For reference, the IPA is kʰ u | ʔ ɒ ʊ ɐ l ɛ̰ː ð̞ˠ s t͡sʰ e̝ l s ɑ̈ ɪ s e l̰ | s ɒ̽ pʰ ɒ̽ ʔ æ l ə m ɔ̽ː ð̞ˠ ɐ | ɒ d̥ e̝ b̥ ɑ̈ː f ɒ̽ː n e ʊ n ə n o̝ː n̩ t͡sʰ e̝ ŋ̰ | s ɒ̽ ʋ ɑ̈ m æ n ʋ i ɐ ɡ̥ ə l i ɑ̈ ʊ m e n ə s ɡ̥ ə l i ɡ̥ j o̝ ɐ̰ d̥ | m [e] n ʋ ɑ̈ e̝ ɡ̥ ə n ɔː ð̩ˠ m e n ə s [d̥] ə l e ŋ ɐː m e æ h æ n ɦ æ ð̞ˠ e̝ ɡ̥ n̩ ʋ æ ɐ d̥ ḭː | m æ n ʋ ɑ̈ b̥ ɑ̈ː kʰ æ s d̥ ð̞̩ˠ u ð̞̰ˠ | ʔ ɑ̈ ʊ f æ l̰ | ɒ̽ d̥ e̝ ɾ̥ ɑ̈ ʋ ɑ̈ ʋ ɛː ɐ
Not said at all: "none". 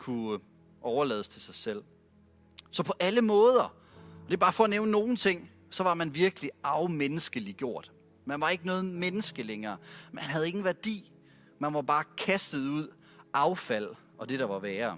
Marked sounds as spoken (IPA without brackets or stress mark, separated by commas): æ, ɡ̥